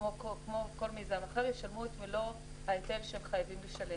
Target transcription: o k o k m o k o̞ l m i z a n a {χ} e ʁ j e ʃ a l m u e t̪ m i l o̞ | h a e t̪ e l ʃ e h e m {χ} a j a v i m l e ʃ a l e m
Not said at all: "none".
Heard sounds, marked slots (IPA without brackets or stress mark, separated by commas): χ, χ